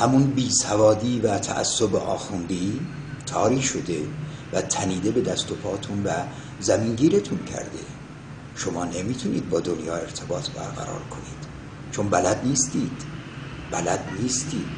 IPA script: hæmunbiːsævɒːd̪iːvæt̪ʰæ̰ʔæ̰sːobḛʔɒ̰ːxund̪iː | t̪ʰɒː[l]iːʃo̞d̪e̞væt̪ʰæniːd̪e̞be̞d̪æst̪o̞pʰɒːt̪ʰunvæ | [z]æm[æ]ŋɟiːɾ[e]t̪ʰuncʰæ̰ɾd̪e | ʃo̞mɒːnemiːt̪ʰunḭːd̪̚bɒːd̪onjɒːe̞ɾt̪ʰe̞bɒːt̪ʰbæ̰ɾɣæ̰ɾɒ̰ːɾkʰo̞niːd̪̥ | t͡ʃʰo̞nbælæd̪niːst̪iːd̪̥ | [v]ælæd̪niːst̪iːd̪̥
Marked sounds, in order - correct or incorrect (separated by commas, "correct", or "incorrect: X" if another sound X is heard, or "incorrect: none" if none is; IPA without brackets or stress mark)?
incorrect: ɾ, correct, incorrect: i, correct, incorrect: b